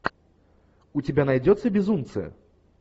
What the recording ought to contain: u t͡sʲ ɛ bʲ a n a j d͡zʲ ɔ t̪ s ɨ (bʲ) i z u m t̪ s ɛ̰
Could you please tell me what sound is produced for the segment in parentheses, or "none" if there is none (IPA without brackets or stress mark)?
bʲ